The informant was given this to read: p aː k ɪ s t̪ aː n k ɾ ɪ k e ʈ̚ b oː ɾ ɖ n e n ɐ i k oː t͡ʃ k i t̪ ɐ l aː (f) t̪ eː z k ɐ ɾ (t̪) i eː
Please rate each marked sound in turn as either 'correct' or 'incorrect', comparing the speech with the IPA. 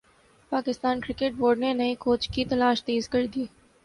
incorrect, incorrect

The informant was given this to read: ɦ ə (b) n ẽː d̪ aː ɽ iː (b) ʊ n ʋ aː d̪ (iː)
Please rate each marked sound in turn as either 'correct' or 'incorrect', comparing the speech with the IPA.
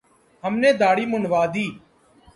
incorrect, incorrect, correct

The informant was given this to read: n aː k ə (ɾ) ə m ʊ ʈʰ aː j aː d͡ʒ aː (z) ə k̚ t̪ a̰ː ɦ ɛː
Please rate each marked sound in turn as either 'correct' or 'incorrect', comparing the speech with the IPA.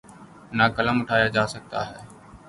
incorrect, incorrect

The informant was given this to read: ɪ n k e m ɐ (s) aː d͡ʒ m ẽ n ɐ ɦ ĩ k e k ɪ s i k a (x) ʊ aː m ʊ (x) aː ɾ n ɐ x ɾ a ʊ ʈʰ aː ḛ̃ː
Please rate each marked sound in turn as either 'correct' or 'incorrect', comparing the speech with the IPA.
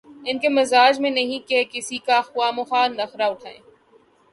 incorrect, correct, correct

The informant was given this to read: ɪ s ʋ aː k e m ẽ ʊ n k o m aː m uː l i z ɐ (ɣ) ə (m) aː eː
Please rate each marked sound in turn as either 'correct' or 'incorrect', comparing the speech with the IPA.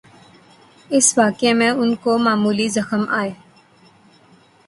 incorrect, correct

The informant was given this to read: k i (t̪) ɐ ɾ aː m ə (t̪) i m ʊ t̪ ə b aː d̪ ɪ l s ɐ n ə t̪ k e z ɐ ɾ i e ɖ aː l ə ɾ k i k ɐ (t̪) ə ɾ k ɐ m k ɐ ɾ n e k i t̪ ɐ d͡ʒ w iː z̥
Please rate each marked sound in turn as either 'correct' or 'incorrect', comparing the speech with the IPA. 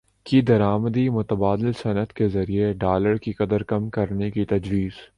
incorrect, incorrect, incorrect

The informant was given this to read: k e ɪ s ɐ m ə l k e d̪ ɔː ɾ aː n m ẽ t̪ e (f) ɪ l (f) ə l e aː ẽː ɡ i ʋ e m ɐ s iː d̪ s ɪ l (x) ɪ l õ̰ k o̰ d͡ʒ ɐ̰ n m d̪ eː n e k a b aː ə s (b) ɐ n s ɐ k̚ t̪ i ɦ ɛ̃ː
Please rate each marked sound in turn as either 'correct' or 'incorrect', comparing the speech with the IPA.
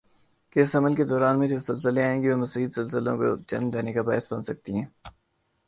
incorrect, incorrect, incorrect, correct

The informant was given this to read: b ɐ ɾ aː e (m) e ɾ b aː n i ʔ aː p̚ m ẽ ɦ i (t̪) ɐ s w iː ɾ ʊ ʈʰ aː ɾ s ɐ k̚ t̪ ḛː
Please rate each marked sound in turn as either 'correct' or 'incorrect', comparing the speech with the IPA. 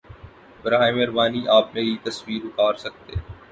correct, correct

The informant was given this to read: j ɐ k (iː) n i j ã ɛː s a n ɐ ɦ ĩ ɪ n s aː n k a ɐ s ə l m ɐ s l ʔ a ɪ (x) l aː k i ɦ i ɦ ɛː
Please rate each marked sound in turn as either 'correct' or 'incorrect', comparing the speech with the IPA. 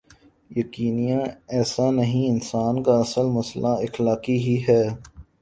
correct, correct

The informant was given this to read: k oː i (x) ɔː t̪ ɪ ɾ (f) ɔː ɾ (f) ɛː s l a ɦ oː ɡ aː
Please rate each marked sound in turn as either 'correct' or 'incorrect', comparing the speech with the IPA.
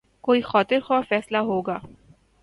correct, incorrect, correct

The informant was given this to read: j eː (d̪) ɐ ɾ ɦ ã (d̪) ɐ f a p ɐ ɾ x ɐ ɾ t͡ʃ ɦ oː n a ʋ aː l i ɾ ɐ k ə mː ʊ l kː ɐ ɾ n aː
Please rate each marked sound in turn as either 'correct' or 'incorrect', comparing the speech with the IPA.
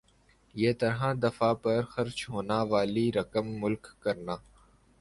incorrect, correct

